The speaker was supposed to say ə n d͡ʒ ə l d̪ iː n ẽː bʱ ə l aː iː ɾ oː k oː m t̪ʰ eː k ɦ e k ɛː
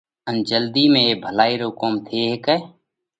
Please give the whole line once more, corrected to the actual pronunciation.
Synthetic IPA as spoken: ə n d͡ʒ ə l d̪ iː m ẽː bʱ ə l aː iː ɾ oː k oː m t̪ʰ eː ɦ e k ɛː